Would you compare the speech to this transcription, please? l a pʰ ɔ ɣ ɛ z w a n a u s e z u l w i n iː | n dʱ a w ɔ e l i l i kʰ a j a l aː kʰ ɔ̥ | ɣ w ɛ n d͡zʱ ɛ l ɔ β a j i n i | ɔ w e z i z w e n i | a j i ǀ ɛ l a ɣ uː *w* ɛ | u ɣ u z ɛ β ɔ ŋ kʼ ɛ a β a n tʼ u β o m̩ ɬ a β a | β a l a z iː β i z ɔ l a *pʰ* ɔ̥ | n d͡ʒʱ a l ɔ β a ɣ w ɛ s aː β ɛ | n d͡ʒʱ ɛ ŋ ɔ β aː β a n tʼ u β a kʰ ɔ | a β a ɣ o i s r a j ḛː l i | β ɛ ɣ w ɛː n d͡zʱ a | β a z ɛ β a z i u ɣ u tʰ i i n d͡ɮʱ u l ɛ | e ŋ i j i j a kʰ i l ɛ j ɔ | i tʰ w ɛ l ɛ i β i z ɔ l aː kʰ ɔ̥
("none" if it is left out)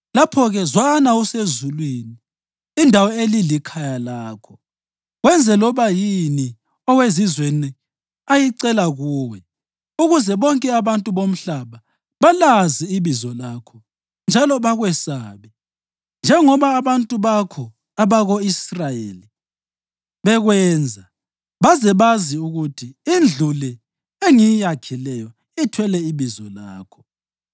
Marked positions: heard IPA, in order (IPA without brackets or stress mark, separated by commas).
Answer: w, kʰ